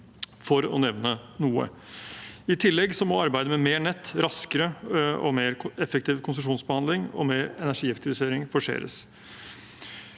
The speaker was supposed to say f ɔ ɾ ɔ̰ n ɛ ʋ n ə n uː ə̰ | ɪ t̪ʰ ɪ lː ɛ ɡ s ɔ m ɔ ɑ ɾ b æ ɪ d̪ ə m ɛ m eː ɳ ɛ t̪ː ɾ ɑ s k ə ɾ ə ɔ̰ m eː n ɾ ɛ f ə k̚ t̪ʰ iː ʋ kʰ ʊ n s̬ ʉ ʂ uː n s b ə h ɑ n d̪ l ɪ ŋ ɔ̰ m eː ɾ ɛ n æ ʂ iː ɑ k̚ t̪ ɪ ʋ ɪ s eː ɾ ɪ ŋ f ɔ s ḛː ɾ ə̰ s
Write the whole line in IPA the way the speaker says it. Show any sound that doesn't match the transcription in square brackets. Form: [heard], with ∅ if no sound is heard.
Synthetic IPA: f ɔ ɾ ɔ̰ n ɛ ʋ n ə n uː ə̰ | ɪ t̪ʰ ɪ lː ɛ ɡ s ɔ m ɔ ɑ ɾ b æ ɪ d̪ ə m ɛ m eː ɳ ɛ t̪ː ɾ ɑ s k ə ɾ ə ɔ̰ m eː [∅] ɾ ɛ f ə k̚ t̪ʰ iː ʋ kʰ ʊ n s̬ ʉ ʂ uː n s b ə h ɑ n d̪ l ɪ ŋ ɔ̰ m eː ɾ ɛ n æ ʂ iː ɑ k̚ t̪ ɪ ʋ ɪ s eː ɾ ɪ ŋ f ɔ [ʂ] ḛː ɾ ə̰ s